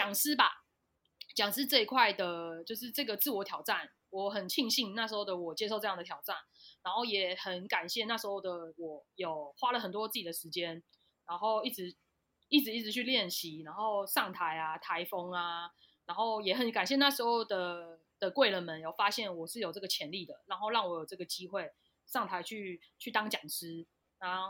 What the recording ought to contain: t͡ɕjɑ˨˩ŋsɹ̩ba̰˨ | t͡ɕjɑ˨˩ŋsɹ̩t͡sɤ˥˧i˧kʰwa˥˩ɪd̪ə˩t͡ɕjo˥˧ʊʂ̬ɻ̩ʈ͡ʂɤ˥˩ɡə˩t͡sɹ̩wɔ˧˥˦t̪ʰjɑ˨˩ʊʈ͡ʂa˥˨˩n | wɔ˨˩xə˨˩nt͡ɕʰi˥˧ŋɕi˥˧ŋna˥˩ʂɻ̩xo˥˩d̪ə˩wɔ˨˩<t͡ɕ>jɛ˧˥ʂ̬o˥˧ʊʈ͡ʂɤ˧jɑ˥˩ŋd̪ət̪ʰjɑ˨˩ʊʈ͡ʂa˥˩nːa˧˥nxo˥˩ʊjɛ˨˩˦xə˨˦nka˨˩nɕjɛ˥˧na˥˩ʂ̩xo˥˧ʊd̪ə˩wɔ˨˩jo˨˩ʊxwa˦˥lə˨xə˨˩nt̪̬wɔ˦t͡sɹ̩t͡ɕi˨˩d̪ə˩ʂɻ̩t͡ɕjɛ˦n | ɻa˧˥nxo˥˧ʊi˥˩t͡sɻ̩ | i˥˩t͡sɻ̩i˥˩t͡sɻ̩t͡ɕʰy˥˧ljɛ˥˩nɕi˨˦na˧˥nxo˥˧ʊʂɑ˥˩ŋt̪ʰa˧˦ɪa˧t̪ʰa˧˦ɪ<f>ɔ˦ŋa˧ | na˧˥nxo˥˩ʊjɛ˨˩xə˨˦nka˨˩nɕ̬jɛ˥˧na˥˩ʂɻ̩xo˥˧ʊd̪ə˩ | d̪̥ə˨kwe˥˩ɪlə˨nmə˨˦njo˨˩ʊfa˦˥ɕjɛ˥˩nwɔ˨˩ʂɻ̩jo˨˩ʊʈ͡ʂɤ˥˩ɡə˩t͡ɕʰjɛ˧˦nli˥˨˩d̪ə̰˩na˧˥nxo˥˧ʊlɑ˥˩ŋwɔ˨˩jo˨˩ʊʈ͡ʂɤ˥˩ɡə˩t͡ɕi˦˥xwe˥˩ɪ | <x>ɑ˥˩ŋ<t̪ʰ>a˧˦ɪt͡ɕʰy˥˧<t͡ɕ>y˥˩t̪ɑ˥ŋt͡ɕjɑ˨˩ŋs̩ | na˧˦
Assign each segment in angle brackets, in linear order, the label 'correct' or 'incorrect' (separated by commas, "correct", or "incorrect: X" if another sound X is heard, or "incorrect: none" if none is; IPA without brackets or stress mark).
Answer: correct, correct, incorrect: ʂ, correct, incorrect: t͡ɕʰ